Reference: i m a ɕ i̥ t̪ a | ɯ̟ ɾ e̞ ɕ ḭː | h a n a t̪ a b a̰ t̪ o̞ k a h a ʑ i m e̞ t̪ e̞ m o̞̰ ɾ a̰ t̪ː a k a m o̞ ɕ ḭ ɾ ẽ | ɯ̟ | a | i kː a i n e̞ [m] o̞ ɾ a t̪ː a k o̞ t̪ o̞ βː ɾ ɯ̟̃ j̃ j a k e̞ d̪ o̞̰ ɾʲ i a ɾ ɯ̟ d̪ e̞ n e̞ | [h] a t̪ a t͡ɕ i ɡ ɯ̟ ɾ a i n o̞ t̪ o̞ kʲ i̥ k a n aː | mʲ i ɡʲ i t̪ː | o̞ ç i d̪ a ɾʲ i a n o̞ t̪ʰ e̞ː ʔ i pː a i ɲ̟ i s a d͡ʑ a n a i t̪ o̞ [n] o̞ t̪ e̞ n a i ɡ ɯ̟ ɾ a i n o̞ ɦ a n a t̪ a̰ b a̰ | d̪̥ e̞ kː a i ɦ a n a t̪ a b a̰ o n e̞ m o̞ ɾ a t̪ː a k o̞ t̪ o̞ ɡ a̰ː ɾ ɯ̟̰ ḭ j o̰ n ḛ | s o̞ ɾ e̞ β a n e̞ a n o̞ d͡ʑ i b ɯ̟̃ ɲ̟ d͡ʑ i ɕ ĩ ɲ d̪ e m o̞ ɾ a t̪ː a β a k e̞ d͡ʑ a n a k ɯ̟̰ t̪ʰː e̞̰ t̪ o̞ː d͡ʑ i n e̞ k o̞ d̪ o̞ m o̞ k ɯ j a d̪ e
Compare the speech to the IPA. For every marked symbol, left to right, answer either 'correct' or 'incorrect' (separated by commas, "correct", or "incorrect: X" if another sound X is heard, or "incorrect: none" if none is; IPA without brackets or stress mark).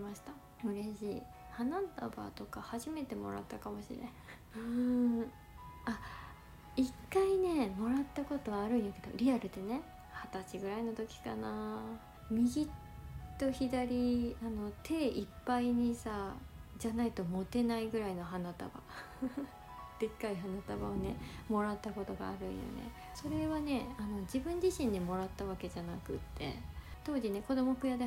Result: correct, correct, incorrect: m